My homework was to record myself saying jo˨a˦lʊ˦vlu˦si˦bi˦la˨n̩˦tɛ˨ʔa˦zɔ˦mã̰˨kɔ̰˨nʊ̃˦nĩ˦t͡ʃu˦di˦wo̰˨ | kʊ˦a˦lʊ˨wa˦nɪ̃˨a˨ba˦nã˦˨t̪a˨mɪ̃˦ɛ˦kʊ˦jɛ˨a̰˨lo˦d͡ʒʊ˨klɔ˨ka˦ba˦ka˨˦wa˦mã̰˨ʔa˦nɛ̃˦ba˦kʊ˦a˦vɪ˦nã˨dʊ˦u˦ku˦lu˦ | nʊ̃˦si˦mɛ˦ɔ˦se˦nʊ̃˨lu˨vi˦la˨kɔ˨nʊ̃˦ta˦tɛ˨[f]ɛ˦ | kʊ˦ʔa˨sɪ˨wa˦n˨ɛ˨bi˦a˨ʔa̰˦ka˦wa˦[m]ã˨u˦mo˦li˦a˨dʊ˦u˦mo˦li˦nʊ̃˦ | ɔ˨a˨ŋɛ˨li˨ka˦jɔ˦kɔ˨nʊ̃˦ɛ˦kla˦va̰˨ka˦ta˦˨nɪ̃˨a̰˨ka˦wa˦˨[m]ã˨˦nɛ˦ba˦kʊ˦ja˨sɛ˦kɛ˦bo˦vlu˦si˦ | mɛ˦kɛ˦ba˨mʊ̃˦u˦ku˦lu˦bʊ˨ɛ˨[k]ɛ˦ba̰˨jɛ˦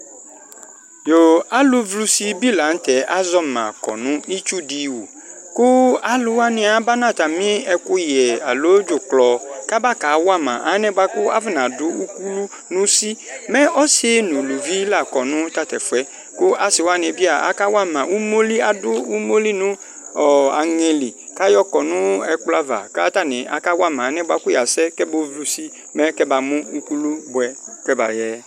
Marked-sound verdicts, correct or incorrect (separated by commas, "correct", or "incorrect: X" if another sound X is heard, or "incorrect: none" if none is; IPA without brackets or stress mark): correct, correct, correct, correct